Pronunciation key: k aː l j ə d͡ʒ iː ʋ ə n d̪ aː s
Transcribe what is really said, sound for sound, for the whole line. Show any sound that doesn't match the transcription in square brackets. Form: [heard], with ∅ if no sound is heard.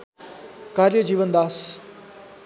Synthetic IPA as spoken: k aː [ɾ] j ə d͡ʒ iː ʋ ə n d̪ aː s